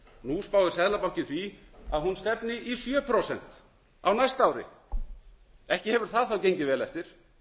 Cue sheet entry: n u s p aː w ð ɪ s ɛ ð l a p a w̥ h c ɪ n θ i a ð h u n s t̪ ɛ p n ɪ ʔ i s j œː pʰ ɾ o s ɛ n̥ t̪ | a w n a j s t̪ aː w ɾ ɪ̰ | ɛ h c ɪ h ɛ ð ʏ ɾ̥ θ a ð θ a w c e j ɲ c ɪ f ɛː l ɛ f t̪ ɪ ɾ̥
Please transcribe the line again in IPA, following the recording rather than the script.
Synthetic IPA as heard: n u s p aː w ð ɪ s ɛ ð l a p a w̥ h c ɪ n θ i a ð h u n s t̪ ɛ p n ɪ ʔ i s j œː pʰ ɾ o s ɛ n̥ t̪ | a w n a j s t̪ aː w ɾ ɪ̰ | ɛ h c ɪ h ɛ v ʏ ɾ̥ θ a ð θ a w c e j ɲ c ɪ v ɛː l ɛ f t̪ ɪ ɾ̥